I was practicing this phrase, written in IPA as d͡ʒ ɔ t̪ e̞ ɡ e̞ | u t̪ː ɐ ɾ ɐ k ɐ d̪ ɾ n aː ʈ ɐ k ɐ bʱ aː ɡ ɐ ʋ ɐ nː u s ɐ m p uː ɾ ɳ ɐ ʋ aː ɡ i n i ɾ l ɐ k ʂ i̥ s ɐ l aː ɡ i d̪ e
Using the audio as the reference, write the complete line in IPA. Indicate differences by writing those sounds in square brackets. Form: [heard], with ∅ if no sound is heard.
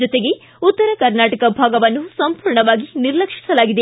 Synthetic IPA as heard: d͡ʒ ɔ t̪ e̞ ɡ e̞ | u t̪ː ɐ ɾ ɐ k ɐ [∅] ɾ n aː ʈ ɐ k ɐ bʱ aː ɡ ɐ ʋ ɐ nː u s ɐ m p uː ɾ ɳ ɐ ʋ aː ɡ i n i ɾ l ɐ k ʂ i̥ s ɐ l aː ɡ i d̪ e